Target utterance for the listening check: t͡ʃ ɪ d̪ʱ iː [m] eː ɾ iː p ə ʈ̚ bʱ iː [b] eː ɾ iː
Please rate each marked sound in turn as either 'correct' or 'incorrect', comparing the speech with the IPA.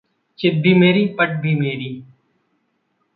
correct, incorrect

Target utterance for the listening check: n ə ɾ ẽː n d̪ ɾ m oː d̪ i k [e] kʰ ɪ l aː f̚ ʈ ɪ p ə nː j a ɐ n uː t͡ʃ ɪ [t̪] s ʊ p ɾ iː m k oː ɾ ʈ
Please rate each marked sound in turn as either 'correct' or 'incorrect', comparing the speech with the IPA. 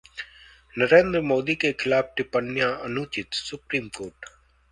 correct, correct

